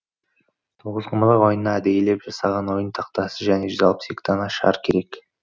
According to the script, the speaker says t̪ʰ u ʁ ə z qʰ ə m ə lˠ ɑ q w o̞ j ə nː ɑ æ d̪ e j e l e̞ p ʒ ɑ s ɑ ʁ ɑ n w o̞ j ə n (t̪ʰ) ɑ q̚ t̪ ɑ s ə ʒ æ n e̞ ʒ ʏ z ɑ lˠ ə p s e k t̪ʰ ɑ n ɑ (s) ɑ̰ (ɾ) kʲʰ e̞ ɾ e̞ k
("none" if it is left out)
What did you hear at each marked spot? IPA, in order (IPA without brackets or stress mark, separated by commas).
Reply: t̪ʰ, ʃ, ɾ